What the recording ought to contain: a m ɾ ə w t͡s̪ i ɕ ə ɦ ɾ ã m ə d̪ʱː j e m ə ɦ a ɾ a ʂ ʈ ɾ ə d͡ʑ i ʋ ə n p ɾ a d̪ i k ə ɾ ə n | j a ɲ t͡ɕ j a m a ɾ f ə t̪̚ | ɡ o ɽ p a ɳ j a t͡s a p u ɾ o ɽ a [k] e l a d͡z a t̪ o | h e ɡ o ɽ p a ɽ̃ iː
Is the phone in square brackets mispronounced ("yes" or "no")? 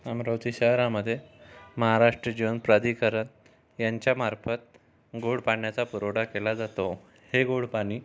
no